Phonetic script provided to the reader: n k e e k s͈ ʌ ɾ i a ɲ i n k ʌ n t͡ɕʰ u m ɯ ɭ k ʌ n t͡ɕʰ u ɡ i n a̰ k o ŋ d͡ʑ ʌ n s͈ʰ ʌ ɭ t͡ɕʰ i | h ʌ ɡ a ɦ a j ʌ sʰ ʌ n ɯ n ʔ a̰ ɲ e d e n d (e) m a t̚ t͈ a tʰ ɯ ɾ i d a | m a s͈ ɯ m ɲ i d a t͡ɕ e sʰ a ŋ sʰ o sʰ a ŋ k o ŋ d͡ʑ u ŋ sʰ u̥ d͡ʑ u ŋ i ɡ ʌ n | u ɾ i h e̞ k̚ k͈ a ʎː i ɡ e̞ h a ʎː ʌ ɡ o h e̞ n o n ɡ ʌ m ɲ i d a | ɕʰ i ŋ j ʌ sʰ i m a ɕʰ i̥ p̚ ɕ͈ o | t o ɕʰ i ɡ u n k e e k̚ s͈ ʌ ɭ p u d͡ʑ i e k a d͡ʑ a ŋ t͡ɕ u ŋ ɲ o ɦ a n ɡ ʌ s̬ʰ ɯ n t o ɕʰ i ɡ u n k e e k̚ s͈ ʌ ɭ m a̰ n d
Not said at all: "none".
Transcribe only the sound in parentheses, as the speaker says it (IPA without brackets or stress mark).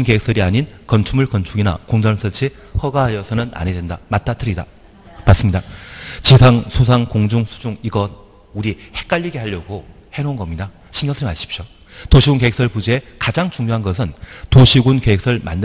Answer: a